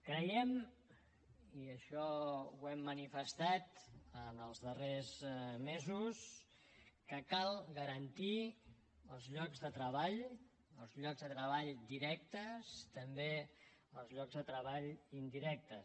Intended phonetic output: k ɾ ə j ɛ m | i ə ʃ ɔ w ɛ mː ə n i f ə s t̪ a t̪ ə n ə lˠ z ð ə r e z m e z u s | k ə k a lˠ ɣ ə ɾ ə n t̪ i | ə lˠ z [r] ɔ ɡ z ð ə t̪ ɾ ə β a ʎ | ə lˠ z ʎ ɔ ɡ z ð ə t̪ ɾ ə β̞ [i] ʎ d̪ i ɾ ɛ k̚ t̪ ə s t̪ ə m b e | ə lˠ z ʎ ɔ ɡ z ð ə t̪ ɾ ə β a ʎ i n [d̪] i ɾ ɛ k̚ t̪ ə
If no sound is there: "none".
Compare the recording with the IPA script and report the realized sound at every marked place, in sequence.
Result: ʎ, a, d̪

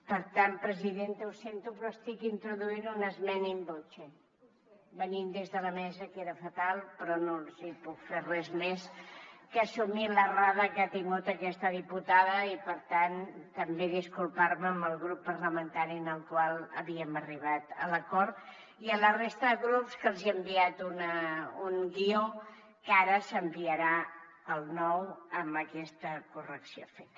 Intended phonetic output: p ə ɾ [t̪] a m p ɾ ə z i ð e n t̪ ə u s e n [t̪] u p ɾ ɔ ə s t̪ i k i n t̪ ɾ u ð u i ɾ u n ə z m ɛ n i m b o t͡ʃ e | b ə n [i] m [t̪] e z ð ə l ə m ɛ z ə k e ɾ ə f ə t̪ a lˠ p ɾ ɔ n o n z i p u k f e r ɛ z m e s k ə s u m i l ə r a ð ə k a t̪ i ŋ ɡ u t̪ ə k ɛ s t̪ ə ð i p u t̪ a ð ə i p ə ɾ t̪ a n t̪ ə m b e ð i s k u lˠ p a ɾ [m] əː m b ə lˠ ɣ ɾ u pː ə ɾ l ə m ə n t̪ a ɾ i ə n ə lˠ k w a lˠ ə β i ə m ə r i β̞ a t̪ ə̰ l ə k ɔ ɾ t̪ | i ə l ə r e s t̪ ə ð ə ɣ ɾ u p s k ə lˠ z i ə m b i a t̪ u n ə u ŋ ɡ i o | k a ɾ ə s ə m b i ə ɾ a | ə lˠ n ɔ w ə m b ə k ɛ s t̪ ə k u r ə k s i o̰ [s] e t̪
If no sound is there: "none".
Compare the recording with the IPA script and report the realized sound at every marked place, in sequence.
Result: t̪, t̪, i, d̪, m, f

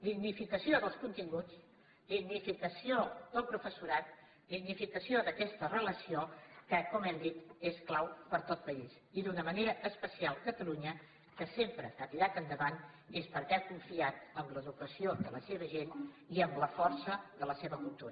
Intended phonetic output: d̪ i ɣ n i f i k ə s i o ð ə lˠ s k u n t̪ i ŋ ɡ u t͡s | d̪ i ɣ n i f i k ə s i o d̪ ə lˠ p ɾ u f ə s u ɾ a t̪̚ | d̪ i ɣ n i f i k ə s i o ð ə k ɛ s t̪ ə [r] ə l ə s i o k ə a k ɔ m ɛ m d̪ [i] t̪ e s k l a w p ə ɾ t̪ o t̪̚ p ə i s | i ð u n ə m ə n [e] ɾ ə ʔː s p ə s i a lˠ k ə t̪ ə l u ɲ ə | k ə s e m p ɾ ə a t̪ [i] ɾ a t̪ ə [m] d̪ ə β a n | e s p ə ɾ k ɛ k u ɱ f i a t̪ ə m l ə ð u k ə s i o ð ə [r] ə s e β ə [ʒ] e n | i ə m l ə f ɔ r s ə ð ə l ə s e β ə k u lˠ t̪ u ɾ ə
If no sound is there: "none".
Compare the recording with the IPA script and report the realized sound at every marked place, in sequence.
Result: r, i, e, i, n, l, ʒ

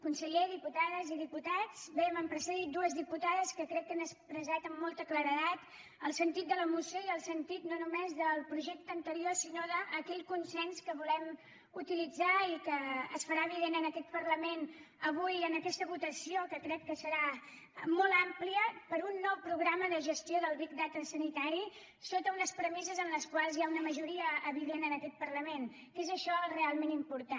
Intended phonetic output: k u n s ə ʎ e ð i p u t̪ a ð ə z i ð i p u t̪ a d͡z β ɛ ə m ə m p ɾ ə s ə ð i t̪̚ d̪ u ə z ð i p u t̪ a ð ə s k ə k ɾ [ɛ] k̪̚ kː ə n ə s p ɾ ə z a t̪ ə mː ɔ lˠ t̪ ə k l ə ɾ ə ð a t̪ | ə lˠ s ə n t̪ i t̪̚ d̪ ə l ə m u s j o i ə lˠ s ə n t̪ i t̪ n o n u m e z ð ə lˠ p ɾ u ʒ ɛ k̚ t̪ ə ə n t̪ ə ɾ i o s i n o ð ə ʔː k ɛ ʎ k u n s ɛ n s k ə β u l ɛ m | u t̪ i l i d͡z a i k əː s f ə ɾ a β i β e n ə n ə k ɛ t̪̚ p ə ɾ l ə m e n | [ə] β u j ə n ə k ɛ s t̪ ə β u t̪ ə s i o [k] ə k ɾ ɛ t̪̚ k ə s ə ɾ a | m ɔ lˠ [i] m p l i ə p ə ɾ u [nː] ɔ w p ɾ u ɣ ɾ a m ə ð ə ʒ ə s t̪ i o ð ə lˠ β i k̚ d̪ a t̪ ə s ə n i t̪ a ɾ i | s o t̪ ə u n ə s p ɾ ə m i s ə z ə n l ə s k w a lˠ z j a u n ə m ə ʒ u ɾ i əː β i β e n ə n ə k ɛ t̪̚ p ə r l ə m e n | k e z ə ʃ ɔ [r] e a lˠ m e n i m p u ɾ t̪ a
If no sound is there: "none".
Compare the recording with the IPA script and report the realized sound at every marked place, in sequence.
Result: ɛ, ə, k, a, nː, r

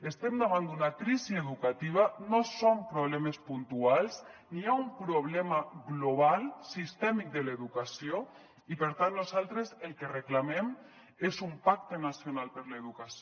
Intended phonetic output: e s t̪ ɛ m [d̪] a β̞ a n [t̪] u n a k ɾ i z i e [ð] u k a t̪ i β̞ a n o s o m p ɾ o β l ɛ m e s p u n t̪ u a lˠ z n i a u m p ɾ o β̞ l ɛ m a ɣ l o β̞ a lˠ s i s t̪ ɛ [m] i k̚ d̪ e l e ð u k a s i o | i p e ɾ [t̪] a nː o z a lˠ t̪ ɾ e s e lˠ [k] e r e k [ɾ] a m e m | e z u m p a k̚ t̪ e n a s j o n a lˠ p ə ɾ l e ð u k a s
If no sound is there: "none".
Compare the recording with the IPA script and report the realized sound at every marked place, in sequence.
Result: d̪, d̪, ð, m, t̪, k, l

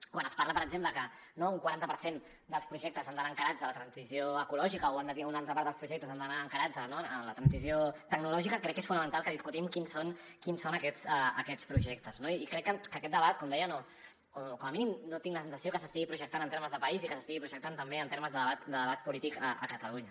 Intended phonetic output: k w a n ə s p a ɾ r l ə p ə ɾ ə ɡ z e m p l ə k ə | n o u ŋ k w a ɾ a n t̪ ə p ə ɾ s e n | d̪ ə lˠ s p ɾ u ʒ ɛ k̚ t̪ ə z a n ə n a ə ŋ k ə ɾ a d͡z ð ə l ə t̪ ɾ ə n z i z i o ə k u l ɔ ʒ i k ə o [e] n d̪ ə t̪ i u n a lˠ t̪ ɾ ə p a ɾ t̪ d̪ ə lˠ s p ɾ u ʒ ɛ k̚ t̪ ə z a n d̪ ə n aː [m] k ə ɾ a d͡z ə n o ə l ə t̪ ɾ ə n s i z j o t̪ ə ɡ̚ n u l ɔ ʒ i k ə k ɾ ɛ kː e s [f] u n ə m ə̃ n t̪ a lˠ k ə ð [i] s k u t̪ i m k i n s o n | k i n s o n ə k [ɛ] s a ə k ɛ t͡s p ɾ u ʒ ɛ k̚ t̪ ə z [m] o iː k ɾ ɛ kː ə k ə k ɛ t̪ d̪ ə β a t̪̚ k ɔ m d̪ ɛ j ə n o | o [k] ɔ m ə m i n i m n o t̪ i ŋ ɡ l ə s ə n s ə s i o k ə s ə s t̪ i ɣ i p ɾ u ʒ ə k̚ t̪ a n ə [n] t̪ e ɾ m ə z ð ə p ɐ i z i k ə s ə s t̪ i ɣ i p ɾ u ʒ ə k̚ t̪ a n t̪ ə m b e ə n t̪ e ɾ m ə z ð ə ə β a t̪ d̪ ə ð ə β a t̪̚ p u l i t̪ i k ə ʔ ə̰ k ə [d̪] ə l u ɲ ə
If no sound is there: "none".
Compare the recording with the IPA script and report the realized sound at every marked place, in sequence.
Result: a, ŋ, f, i, ɛ, n, k, n, t̪

